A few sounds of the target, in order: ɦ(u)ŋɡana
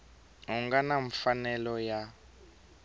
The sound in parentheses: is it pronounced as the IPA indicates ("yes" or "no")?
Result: yes